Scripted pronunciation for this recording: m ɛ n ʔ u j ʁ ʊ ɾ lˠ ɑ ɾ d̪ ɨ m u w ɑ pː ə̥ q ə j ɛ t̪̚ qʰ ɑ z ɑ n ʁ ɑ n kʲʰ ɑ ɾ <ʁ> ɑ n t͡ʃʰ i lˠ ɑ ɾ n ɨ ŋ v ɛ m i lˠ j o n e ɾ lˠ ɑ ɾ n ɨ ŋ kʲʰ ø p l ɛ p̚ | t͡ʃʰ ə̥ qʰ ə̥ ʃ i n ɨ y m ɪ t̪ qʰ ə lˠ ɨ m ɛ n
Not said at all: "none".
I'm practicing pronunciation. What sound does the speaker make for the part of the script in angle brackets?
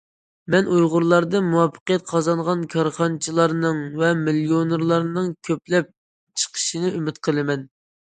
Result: χ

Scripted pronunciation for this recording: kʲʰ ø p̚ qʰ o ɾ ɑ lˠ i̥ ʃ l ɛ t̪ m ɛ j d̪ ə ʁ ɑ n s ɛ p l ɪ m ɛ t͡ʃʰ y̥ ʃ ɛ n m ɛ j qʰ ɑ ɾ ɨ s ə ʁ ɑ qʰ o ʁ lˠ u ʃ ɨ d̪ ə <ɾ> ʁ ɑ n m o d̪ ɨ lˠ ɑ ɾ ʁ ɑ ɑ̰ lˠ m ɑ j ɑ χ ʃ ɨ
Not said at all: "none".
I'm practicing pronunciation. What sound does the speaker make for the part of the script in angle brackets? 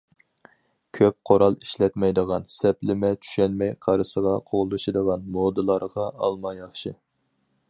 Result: none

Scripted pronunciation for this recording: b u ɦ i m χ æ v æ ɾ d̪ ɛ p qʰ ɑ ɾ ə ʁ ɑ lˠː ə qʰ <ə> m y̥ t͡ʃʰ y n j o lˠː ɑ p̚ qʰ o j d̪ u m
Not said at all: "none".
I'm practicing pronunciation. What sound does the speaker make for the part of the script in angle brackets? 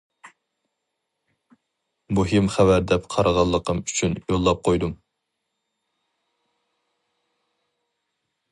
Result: ə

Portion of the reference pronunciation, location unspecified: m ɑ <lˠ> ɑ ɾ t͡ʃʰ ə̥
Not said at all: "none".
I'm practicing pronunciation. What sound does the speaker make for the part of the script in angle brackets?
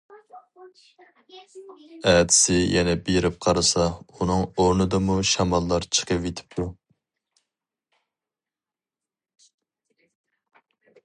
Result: lˠː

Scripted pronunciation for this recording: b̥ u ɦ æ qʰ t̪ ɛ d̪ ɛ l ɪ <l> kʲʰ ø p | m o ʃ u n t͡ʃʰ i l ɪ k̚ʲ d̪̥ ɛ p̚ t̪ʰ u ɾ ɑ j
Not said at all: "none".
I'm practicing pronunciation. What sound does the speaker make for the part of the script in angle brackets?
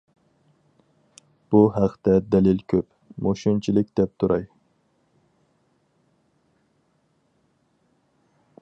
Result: l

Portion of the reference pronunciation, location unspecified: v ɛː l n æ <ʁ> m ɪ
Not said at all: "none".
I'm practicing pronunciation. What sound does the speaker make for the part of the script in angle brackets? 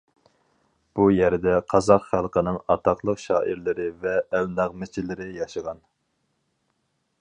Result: ʁ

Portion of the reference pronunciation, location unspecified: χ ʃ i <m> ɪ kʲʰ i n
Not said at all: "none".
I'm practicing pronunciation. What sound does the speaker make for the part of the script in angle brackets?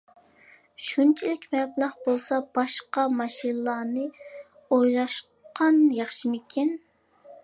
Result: m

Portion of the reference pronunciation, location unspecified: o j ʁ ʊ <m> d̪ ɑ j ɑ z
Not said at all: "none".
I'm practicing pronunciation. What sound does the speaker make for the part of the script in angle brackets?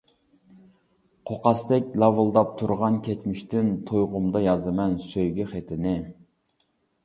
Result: m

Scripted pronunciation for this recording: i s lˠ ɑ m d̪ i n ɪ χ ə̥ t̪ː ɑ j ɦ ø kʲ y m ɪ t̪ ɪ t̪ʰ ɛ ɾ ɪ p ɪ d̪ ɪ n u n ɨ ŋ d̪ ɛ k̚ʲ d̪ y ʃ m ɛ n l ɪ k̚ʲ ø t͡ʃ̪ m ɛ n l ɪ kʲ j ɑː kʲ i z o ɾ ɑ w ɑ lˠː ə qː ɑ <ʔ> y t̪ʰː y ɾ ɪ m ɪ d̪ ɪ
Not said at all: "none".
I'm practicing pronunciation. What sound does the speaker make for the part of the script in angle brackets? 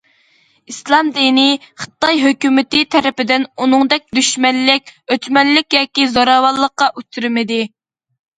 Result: ʔ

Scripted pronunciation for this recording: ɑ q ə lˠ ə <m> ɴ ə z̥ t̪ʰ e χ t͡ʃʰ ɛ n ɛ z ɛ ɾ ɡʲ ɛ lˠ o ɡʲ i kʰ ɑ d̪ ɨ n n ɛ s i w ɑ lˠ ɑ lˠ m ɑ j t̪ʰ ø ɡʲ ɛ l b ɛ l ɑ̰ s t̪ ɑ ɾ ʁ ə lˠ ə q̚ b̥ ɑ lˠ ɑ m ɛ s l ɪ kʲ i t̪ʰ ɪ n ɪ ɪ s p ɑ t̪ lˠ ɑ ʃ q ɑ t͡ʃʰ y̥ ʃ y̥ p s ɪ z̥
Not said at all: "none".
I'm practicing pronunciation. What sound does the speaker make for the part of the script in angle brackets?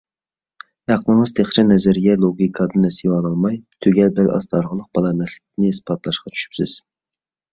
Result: none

